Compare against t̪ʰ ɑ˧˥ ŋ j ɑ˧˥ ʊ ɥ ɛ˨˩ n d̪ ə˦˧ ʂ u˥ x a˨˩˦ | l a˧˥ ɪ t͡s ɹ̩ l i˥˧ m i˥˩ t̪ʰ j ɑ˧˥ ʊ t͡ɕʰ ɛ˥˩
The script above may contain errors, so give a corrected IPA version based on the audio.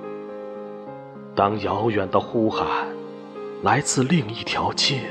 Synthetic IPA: t̪ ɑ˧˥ ŋ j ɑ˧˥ ʊ ɥ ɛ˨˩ n d̪ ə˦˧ x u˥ x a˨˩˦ | l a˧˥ ɪ t͡s ɹ̩ l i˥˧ ŋ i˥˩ t̪ʰ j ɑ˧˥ ʊ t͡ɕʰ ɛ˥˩